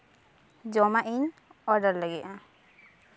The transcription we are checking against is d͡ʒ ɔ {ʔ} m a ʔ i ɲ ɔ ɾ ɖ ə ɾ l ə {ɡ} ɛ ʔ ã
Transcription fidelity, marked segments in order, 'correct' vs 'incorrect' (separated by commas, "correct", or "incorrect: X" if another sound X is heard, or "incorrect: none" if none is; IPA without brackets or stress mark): incorrect: none, correct